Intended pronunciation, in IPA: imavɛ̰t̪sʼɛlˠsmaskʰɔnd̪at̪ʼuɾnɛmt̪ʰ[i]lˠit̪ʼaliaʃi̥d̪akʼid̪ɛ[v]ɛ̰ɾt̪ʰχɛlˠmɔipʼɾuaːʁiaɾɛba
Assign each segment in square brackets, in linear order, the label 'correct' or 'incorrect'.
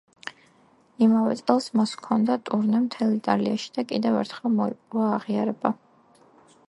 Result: incorrect, correct

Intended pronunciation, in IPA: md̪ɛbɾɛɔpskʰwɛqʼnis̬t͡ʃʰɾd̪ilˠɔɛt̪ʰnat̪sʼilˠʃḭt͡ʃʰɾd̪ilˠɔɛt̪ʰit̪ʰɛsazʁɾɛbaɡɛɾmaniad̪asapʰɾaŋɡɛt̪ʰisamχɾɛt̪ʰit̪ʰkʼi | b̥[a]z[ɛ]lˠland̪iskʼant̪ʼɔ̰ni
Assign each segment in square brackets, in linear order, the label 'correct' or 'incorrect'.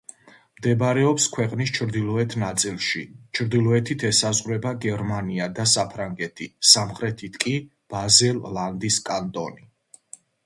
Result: correct, correct

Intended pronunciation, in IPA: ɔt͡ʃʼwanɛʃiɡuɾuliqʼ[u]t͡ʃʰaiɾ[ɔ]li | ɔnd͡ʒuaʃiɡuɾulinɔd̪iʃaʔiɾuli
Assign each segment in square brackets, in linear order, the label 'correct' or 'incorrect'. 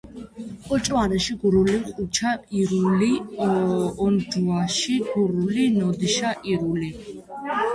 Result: correct, incorrect

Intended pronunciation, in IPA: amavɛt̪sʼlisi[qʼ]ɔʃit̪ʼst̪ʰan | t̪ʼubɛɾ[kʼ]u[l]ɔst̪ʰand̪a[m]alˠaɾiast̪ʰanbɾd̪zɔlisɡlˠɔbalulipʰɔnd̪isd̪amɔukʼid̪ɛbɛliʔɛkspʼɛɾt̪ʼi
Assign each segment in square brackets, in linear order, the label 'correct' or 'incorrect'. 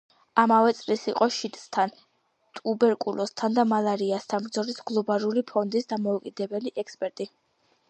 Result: correct, correct, correct, correct

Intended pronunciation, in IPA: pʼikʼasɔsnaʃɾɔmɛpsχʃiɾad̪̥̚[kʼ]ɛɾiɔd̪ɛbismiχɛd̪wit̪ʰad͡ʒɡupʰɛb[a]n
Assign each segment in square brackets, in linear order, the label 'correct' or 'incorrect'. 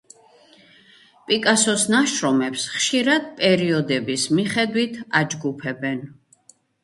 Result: incorrect, incorrect

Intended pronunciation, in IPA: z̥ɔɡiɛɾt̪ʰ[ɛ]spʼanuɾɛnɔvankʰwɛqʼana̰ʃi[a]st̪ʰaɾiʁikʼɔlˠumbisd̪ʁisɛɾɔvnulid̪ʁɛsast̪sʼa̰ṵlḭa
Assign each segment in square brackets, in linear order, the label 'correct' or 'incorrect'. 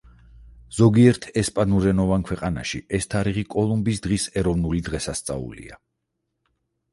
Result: correct, incorrect

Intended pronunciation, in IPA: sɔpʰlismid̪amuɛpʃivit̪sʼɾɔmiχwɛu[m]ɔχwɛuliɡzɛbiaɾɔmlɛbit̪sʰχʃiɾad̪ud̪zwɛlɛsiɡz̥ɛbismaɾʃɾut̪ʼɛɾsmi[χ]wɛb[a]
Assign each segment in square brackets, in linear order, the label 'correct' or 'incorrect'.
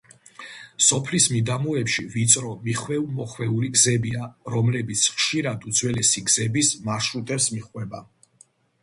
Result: correct, correct, correct

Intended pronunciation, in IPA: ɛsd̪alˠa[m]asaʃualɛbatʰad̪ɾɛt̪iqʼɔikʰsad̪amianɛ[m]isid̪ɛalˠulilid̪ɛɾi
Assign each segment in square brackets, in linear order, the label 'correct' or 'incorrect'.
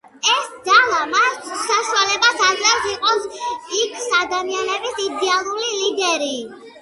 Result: correct, incorrect

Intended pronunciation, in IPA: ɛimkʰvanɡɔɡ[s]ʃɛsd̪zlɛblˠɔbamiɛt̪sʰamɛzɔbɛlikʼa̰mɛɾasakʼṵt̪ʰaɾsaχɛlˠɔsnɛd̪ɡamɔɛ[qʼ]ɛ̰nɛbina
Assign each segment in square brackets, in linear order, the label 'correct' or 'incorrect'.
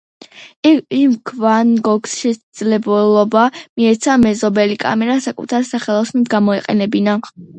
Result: correct, correct

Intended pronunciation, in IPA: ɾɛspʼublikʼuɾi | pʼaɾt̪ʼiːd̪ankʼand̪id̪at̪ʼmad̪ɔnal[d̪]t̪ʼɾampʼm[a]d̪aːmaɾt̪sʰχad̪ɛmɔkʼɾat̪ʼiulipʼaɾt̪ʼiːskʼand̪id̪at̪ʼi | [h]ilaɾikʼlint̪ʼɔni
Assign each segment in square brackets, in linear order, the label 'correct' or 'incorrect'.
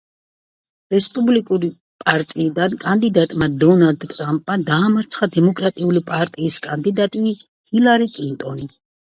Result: correct, correct, correct

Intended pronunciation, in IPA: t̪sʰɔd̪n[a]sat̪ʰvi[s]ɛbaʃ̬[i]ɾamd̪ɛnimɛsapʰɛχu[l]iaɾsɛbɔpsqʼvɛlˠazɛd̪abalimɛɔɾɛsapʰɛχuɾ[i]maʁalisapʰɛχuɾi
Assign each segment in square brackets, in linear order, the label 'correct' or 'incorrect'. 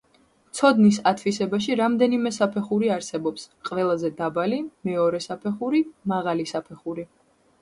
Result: incorrect, correct, correct, incorrect, correct

